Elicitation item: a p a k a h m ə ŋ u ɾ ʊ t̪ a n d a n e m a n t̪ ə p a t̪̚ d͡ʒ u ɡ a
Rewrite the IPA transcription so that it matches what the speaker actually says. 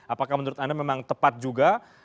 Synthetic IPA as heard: a p a k a h m ə n u ɾ ʊ t̪ a n d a m e m a ŋ t̪ ə p a t̪̚ d͡ʒ u ɡ a